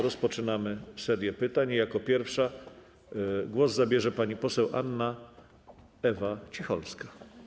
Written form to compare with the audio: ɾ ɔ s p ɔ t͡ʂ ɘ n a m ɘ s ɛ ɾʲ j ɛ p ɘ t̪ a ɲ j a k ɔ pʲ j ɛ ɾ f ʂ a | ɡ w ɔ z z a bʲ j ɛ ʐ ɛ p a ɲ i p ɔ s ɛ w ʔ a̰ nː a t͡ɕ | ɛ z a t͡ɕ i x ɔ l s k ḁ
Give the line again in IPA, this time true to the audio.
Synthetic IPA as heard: ɾ ɔ s p ɔ t͡ʂ ɘ n a m ɘ s ɛ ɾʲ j ɛ p ɘ t̪ a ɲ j a k ɔ pʲ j ɛ ɾ f ʂ a | ɡ w ɔ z z a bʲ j ɛ ʐ ɛ p a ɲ i p ɔ s ɛ w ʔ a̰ nː a | ɛ v a t͡ɕ i x ɔ l s k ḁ